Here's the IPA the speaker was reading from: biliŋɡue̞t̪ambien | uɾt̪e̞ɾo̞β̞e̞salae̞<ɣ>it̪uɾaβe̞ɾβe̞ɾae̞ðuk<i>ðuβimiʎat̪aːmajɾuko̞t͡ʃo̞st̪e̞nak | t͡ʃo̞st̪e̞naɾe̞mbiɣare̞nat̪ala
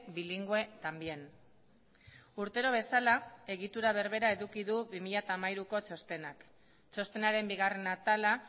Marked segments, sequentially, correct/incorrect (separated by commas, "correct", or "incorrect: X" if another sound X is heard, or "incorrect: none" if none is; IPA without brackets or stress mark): correct, correct